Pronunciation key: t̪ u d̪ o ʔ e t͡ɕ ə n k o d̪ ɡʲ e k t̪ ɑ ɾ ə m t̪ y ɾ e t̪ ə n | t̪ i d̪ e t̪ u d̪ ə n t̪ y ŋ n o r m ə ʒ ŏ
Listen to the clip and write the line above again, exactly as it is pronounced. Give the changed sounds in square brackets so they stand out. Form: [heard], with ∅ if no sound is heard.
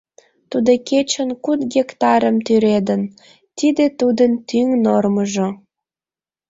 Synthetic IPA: t̪ u d̪ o [k] e t͡ɕ ə n k [u] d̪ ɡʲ e k t̪ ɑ ɾ ə m t̪ y ɾ e [d̪] ə n | t̪ i d̪ e t̪ u d̪ ə n t̪ y ŋ n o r m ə ʒ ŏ

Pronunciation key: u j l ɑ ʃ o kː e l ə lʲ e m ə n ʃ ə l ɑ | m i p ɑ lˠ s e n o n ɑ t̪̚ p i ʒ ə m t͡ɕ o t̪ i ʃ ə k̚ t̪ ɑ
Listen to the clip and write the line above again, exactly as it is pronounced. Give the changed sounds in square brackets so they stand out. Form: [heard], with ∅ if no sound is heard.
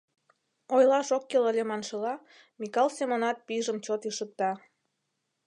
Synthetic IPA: [o] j l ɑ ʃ o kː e l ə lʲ e m [ɑ] n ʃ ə l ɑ | m i [k] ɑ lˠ s e [m] o n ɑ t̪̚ p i ʒ ə m t͡ɕ o t̪ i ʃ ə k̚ t̪ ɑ

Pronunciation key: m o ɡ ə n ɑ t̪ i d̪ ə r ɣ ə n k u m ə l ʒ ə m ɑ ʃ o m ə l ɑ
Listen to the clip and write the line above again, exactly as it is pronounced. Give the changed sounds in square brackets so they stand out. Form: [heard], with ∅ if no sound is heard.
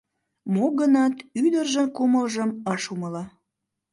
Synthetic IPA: m o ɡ ə n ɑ t̪ [y] d̪ ə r [ʒ] ə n k u m ə l ʒ ə m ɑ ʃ [u] m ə l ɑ

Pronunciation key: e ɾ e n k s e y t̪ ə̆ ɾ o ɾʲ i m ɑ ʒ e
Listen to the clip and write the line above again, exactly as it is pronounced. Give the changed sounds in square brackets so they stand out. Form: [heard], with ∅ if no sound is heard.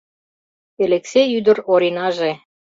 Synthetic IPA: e [l] e [∅] k s e y [d̪] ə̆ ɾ o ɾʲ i [n] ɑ ʒ e

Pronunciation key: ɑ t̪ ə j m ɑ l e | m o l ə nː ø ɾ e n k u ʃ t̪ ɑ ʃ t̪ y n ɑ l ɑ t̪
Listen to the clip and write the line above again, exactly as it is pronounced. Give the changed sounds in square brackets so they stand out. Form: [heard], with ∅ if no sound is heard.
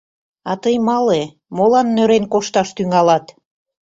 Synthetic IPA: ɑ t̪ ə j m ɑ l e | m o l [ɑ] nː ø ɾ e n k [o] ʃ t̪ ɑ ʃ t̪ y [ŋ] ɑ l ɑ t̪

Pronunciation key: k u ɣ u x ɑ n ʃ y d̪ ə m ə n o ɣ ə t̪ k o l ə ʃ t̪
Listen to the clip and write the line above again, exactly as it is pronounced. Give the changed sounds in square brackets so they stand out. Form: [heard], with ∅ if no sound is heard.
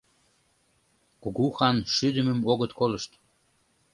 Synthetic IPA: k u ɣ u x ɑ n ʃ y d̪ ə m ə [m] o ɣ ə t̪ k o l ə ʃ t̪

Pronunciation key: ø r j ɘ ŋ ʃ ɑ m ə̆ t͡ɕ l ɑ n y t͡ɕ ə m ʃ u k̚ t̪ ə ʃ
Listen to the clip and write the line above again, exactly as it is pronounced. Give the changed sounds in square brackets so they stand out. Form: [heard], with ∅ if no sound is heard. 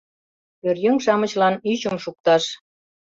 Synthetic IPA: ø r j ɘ ŋ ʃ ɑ m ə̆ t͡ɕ l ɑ n y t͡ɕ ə m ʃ u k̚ t̪ [ɑ] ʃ

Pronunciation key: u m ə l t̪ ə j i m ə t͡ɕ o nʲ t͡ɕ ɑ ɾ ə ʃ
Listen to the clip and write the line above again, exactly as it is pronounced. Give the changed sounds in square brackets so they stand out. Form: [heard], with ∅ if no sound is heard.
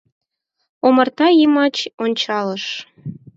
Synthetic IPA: [o] m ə [r] t̪ [ɑ] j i m [ɑ] t͡ɕ o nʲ t͡ɕ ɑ [l] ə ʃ

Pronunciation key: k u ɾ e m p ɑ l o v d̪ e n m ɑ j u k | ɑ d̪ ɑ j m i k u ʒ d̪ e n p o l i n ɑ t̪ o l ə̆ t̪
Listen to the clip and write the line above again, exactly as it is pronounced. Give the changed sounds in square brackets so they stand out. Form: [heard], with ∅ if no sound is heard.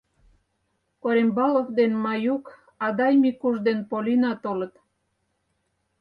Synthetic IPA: k [o] ɾ e m [b] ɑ l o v d̪ e n m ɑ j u k | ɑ d̪ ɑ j m i k u ʒ d̪ e n p o l i n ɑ t̪ o l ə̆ t̪

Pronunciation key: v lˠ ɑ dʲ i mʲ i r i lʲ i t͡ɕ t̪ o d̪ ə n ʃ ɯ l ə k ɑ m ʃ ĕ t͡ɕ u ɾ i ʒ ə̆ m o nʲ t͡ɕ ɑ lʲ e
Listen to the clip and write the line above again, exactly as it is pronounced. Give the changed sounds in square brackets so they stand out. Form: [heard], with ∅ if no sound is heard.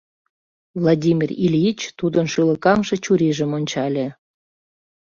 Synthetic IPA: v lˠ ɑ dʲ i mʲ i r i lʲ i t͡ɕ t̪ [u] d̪ ə n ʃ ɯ l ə k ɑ m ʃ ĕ t͡ɕ u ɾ i ʒ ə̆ m o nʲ t͡ɕ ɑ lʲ e

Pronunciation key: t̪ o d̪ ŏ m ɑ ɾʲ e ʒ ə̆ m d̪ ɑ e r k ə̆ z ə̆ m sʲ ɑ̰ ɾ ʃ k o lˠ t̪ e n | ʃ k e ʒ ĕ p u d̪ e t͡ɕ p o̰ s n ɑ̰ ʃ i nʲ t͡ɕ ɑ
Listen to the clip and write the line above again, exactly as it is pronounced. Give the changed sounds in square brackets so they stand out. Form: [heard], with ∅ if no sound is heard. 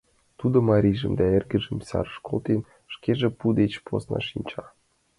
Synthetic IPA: t̪ [u] d̪ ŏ m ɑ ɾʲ [i] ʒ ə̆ m d̪ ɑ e r [ɡ] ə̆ [ʒ] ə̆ m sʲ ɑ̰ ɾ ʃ k o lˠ t̪ e n | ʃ k e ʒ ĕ p u d̪ e t͡ɕ p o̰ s n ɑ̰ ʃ i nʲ t͡ɕ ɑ

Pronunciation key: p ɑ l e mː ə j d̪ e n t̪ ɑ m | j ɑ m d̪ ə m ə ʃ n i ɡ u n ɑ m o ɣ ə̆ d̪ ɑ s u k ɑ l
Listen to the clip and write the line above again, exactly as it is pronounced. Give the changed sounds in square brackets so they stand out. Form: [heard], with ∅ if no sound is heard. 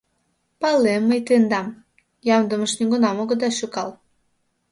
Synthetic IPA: p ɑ l e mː ə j [t̪] e n [d̪] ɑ m | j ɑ m d̪ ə m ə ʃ n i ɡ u n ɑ m o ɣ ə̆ d̪ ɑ [ʃ] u k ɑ l

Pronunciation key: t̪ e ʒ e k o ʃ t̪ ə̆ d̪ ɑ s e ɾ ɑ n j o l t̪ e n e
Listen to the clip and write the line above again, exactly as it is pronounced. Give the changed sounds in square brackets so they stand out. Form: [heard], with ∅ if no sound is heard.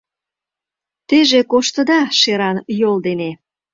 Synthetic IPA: t̪ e ʒ e k o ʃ t̪ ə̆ d̪ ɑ [ʃ] e ɾ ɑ n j o l [d̪] e n e

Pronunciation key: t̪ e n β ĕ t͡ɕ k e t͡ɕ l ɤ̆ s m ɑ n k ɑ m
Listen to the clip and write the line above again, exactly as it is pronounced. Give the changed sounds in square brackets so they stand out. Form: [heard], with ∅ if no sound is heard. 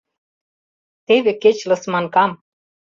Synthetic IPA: t̪ e [∅] β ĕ [∅] k e t͡ɕ l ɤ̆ s m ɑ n k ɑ m

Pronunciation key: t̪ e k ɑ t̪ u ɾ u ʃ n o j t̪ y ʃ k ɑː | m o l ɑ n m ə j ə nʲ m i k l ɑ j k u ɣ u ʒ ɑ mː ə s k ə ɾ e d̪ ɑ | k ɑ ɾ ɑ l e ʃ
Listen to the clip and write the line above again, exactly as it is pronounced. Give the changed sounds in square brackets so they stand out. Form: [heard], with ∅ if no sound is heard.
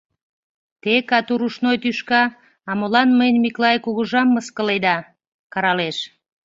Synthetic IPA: t̪ e k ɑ t̪ u ɾ u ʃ n o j t̪ y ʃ k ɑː | m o l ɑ n m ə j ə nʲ m i k l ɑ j k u ɣ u ʒ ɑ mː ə s k ə [l] e d̪ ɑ | k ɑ ɾ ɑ l e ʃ

